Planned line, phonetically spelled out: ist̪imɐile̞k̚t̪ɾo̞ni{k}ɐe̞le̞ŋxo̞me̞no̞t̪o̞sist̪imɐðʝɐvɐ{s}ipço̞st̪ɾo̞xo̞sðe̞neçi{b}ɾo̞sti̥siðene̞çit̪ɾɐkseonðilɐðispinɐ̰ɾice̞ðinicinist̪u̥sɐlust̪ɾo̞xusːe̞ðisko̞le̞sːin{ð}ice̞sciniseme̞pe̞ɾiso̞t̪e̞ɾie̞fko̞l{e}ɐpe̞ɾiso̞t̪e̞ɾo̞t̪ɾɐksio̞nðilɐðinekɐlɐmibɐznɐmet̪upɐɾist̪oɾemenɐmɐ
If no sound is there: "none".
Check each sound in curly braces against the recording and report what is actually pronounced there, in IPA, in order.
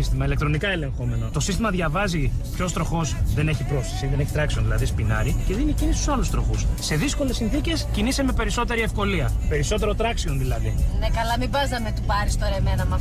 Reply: k, z, p, θ, i

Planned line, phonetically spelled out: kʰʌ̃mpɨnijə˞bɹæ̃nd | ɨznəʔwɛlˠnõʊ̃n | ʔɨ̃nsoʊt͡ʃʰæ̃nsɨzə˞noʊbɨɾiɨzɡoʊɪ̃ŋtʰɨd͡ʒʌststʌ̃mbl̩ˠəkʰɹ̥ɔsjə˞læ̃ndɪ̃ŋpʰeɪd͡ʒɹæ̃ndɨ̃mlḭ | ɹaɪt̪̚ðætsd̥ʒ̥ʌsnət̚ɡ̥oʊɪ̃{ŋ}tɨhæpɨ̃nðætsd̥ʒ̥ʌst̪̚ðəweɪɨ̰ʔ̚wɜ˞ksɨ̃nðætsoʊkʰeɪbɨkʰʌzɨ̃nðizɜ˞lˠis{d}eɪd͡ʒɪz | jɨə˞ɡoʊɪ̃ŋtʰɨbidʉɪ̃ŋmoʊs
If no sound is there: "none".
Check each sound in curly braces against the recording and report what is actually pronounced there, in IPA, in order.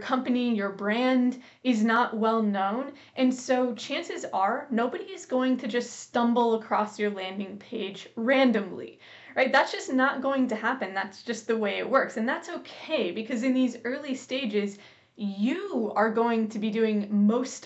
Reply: ŋ, t

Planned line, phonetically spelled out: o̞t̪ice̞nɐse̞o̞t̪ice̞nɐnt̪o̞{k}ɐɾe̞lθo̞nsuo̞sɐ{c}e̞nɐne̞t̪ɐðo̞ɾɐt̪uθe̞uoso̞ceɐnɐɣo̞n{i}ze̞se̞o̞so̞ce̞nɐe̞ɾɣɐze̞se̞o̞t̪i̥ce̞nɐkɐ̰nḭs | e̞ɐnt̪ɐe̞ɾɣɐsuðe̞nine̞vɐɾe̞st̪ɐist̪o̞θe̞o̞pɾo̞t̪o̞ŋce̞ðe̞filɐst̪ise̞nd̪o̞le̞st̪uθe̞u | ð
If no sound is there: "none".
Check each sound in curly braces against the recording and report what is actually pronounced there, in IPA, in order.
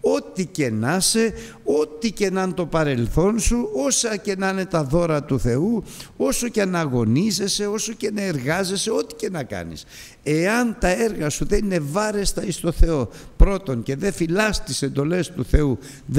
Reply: p, c, i

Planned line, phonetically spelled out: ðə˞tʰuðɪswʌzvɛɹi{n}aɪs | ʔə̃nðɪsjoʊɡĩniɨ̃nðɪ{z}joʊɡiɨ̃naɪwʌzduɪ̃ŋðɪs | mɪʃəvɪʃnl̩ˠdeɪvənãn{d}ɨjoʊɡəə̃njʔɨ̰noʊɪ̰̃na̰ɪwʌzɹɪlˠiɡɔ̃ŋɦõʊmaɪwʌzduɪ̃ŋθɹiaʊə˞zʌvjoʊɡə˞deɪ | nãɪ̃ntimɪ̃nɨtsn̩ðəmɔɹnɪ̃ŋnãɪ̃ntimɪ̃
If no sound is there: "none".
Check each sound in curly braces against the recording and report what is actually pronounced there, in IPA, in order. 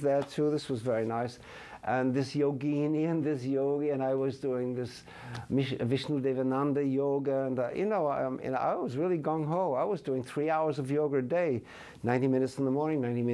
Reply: n, s, d

